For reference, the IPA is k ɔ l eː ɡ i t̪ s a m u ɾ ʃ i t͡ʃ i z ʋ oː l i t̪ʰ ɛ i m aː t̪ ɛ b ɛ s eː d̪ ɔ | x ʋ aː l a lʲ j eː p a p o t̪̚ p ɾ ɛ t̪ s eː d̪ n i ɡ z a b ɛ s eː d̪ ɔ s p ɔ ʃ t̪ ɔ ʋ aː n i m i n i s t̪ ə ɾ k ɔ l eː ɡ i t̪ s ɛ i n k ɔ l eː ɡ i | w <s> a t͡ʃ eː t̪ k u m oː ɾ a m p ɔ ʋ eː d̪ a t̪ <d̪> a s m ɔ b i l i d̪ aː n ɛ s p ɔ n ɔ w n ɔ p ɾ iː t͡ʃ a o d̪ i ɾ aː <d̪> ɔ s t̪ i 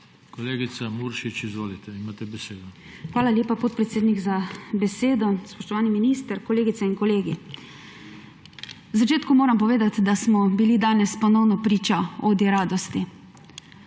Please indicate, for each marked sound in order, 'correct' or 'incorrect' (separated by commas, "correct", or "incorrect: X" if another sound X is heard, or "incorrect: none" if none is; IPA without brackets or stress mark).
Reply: incorrect: z, correct, correct